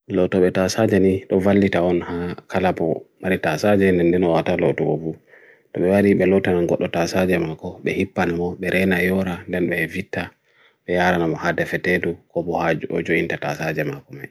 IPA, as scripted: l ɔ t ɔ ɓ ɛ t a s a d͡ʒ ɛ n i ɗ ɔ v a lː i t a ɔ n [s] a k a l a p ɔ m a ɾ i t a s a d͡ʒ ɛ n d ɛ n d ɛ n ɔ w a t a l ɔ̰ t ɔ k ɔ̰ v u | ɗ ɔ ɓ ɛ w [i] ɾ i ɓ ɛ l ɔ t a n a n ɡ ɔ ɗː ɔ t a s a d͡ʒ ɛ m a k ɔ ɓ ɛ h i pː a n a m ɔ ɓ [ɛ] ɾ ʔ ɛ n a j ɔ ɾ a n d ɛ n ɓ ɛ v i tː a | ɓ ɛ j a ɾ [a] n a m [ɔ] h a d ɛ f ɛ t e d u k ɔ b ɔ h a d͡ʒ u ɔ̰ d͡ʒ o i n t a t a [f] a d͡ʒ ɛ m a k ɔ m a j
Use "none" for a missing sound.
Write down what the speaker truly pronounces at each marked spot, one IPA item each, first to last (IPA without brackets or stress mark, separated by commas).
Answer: h, a, ɛ, a, ɔ, s